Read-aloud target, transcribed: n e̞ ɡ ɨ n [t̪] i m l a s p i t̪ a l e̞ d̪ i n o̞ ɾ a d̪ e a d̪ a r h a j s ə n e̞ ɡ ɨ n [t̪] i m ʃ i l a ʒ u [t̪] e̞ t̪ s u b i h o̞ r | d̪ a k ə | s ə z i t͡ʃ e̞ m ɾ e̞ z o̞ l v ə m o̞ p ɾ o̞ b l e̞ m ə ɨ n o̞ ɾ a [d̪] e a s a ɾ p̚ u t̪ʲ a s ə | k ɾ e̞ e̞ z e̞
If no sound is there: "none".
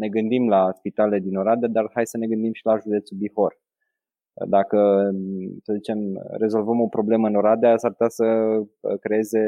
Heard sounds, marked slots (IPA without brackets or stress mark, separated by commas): d̪, d̪, d̪, d̪